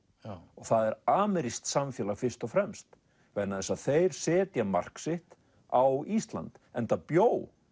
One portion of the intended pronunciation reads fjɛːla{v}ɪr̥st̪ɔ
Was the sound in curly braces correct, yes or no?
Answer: no